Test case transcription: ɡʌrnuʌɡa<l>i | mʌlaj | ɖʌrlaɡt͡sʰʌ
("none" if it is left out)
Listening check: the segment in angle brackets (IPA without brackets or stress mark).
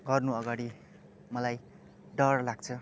ɽ